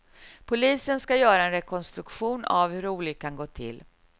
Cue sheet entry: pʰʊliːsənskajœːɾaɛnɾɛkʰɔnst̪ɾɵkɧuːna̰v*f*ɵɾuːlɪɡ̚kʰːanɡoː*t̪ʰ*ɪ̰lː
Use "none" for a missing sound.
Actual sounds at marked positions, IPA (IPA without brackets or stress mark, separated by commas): h, t̪ʰ